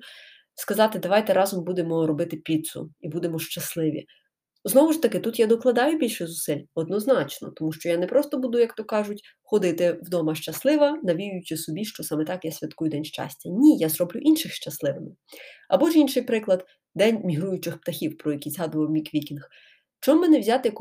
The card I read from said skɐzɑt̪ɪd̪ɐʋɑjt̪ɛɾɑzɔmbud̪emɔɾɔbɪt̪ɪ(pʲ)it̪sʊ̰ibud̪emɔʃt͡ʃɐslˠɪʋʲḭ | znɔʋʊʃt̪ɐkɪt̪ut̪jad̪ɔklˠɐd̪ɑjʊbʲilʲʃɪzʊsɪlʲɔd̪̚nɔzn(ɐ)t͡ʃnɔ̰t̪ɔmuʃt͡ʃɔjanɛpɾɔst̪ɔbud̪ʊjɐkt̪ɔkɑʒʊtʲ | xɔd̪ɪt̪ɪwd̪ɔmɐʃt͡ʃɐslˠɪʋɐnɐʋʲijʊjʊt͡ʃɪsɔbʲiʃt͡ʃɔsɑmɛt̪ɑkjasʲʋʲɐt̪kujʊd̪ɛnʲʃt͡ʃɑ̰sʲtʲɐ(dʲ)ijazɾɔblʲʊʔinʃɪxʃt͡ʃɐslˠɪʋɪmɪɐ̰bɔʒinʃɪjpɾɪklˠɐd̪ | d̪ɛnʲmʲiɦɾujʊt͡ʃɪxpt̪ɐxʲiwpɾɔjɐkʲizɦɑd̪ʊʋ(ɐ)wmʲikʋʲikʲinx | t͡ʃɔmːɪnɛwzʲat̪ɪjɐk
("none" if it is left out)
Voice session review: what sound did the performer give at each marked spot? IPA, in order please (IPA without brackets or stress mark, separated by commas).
pʲ, ɑ, nʲ, ɐ